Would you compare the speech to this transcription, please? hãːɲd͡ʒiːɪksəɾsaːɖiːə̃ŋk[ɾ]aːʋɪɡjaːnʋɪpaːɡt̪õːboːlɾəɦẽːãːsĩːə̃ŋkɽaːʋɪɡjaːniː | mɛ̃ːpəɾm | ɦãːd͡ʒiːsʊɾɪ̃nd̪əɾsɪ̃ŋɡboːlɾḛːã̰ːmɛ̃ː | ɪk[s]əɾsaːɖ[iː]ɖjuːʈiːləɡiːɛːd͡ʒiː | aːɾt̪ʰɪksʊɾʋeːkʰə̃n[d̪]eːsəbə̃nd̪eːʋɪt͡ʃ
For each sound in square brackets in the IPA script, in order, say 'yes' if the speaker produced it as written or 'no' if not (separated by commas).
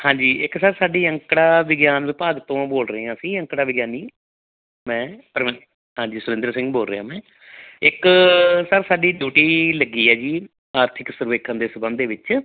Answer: no, yes, yes, yes